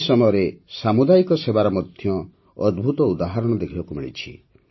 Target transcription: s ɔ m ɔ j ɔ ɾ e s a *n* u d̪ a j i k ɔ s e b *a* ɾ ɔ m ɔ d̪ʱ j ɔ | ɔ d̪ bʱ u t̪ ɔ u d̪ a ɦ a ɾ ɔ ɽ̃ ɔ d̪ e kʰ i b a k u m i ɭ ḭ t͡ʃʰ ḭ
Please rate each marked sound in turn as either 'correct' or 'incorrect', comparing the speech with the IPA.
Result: incorrect: m, correct

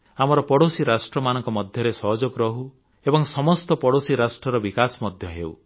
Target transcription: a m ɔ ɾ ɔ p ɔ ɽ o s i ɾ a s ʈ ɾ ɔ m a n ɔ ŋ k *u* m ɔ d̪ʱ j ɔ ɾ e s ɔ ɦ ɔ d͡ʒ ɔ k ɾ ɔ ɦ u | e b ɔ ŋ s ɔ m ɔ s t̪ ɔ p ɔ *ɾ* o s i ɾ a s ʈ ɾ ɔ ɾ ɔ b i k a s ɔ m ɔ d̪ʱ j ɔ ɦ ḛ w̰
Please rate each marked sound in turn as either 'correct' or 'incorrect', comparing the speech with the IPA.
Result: incorrect: ɔ, incorrect: ɽ

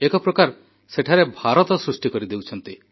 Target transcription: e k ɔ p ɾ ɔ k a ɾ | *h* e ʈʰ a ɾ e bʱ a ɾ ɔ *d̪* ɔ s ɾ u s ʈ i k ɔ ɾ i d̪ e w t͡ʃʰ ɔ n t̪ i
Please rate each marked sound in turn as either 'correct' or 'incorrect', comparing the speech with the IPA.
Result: incorrect: s, incorrect: t̪

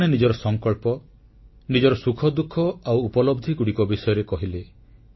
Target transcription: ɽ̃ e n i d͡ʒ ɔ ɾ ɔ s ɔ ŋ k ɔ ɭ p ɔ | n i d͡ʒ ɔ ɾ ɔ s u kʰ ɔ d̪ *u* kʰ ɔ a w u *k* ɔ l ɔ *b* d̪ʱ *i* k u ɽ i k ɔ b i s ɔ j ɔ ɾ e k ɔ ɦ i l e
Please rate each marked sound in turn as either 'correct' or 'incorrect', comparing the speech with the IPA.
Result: correct, incorrect: p, correct, correct

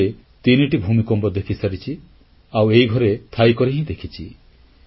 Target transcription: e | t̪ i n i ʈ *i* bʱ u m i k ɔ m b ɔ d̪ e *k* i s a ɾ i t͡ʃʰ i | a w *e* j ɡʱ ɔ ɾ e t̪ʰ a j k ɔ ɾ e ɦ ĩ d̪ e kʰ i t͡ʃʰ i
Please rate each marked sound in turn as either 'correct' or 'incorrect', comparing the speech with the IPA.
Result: correct, incorrect: kʰ, correct

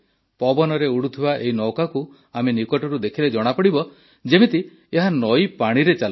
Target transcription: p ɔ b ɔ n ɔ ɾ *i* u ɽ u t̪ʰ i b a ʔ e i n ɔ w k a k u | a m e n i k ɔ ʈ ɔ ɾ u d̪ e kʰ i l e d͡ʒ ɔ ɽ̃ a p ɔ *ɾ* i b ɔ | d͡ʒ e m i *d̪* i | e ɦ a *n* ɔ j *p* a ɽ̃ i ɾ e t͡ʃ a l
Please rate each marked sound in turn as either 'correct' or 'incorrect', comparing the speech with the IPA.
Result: incorrect: e, incorrect: ɽ, incorrect: t̪, correct, correct

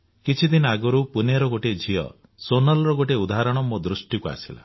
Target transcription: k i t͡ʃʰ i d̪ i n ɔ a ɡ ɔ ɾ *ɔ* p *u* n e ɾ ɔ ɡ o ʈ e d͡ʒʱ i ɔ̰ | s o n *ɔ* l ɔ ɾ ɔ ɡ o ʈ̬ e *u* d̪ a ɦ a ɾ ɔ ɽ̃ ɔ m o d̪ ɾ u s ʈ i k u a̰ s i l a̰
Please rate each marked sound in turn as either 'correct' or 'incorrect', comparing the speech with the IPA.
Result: incorrect: u, correct, correct, correct

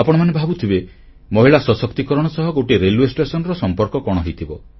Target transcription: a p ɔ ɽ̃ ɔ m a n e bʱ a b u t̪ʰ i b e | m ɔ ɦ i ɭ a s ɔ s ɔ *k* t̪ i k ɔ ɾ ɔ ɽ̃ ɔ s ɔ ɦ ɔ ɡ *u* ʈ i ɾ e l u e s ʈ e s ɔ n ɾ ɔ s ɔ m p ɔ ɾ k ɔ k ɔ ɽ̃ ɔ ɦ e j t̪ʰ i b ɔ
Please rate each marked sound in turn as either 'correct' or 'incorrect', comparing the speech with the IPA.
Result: correct, incorrect: o

